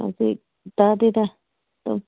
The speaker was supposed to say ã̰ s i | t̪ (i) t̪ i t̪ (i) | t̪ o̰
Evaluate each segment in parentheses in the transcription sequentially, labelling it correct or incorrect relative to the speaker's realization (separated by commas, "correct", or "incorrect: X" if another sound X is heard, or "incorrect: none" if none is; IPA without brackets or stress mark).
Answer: incorrect: a, incorrect: a